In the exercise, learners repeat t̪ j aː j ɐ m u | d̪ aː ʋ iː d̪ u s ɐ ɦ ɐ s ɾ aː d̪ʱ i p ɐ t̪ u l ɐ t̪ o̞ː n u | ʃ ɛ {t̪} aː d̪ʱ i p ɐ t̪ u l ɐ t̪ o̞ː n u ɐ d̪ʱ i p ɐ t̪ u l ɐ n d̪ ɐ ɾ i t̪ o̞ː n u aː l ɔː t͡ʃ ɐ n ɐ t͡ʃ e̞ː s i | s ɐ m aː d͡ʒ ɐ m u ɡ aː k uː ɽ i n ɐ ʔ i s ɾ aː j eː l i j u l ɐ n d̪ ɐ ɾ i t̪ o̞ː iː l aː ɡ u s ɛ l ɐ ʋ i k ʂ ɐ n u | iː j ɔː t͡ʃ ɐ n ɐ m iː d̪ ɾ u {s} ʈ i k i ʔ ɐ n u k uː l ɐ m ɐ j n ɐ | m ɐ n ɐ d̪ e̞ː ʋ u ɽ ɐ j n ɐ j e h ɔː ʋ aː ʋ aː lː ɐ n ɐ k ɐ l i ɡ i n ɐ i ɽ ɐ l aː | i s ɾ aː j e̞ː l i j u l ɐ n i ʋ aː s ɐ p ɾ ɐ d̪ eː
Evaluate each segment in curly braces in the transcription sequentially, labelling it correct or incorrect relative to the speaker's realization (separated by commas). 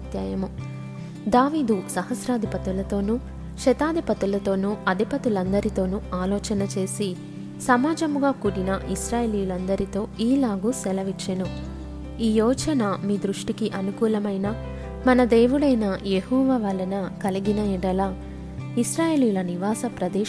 correct, incorrect